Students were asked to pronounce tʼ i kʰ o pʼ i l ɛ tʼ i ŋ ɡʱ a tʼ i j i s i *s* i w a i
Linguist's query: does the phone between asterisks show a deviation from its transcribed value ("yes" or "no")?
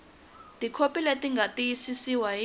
no